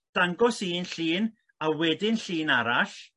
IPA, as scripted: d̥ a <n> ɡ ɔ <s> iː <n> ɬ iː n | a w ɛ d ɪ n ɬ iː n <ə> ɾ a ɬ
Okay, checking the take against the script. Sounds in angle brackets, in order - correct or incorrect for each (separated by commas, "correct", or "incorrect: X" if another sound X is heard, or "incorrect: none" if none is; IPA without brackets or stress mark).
incorrect: ŋ, correct, correct, incorrect: a